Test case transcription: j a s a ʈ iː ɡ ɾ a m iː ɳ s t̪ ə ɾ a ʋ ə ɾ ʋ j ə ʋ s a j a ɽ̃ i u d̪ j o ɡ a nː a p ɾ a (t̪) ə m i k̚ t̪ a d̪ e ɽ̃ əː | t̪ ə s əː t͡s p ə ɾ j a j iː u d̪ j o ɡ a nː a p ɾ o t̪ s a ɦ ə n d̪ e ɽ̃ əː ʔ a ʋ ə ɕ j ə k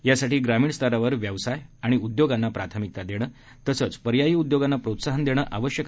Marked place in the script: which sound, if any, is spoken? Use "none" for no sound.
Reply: t̪ʰ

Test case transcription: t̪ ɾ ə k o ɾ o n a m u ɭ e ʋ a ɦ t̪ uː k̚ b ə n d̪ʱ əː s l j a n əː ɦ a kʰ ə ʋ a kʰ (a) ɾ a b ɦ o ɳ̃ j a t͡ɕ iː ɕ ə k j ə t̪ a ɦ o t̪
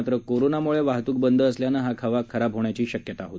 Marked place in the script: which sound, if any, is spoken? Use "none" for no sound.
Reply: ə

